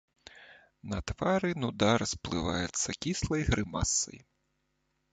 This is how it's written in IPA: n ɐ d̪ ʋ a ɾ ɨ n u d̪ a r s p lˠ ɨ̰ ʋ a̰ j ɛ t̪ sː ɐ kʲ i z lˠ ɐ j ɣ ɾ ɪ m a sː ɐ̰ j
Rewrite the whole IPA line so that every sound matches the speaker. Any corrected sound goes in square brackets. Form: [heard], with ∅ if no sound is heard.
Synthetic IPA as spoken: n ɐ [t̪] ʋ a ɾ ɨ n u d̪ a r s p lˠ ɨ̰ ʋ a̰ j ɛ t̪ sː ɐ kʲ i [s] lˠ ɐ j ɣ ɾ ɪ m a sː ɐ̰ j